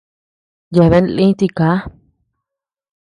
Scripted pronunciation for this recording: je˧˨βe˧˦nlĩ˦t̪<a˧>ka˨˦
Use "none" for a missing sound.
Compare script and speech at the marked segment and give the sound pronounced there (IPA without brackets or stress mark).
i˧